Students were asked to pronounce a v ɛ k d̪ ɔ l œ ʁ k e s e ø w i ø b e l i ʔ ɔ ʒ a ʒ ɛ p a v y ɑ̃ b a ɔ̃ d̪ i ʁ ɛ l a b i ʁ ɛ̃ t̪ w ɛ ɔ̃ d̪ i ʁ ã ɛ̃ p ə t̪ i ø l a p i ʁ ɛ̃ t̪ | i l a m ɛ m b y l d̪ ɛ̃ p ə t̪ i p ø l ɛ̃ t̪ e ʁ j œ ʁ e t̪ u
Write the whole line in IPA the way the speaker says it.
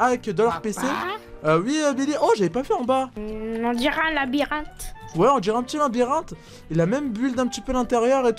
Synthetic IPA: a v ɛ k d̪ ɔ l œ ʁ p e s e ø w i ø b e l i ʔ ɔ ʒ a v ɛ p a v y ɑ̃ b a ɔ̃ d̪ i ʁ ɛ l a b i ʁ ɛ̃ t̪ w ɛ ɔ̃ d̪ i ʁ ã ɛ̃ p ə t̪ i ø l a b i ʁ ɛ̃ t̪ | i l a m ɛ m b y l d̪ ɛ̃ p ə t̪ i p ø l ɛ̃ t̪ e ʁ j œ ʁ e t̪ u